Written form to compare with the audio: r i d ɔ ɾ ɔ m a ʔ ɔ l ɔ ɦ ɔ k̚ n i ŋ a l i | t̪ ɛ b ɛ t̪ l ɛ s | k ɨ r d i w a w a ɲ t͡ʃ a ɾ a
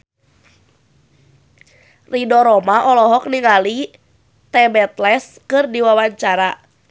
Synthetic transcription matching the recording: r i d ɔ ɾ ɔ m a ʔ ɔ l ɔ ɦ ɔ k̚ n i ŋ a l i | t̪ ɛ b ɛ t̪ l ɛ s | k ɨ r d i w a w a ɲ t͡ʃ a ɾ a